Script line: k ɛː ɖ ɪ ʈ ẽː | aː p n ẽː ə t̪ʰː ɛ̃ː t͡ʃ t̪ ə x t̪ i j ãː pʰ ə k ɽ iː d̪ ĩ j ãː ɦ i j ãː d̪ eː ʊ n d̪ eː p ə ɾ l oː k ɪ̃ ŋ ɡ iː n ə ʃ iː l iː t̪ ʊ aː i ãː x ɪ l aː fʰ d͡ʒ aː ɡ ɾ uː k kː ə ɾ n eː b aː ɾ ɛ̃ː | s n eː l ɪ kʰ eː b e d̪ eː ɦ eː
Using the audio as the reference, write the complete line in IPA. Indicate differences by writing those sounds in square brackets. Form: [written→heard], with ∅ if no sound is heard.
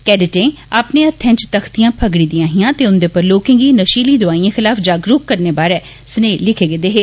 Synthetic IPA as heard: k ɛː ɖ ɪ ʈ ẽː | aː p n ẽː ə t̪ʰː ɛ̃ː t͡ʃ t̪ ə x t̪ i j ãː pʰ ə [k→ɡ] ɽ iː d̪ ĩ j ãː ɦ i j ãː [d̪→t̪] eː ʊ n d̪ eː p ə ɾ l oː k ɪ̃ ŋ ɡ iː n ə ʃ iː l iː [t̪→d̪] ʊ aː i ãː x ɪ l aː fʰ d͡ʒ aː ɡ ɾ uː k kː ə ɾ n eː b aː ɾ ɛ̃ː | s n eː l ɪ kʰ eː [b→ɡ] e d̪ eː ɦ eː